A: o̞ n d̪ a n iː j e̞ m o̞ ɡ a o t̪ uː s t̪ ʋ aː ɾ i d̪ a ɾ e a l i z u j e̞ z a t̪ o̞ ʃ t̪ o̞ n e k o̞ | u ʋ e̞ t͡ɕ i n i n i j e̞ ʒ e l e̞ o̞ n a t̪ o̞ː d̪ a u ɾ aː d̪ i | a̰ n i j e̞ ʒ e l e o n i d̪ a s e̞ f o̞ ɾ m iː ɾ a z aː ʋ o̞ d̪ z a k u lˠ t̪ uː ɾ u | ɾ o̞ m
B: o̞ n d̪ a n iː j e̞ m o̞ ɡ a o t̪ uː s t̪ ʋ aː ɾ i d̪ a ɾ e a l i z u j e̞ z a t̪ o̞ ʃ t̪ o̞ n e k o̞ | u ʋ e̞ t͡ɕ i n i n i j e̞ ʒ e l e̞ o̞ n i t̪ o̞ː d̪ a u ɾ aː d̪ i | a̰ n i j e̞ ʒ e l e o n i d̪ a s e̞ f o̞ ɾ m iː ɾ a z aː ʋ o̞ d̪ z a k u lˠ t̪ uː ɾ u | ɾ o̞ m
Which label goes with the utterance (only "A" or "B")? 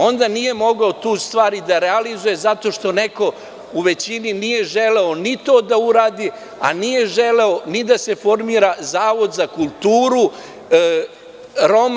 B